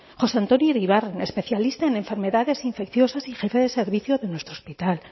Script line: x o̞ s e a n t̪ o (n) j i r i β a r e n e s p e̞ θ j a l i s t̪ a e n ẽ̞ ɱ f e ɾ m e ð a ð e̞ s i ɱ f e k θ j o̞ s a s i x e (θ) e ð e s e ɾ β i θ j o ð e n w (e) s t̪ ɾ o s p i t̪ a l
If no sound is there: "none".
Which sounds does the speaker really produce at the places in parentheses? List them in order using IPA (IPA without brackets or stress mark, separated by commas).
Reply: n, f, e